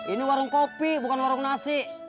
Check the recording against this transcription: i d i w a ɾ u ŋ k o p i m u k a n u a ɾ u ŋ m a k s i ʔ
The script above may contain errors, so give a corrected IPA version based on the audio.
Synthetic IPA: i n i w a ɾ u ŋ k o p i b u k a n w a ɾ u ŋ n a s i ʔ